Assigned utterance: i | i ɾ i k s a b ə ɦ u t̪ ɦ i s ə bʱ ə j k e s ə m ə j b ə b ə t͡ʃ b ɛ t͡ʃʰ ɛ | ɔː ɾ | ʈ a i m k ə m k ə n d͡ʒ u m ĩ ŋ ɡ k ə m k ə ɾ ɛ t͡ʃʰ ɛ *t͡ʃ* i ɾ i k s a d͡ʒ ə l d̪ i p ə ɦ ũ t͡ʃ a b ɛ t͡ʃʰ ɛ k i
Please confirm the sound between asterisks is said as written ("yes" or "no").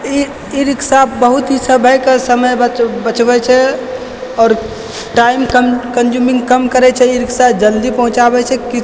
no